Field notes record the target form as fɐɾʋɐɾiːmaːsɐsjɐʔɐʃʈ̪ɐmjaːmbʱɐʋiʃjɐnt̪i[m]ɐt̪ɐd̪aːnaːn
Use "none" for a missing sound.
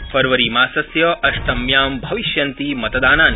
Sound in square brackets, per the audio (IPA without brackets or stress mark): m